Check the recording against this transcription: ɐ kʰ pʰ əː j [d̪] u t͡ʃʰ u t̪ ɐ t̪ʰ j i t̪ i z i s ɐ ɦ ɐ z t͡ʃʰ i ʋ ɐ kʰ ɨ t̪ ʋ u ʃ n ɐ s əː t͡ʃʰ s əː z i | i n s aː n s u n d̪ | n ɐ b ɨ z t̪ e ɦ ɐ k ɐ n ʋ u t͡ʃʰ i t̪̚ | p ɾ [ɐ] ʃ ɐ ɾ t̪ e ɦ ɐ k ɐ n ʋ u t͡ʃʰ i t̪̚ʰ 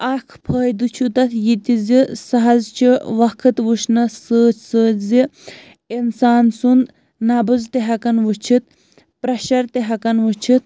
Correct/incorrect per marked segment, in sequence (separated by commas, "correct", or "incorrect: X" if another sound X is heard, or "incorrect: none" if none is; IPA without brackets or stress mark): correct, correct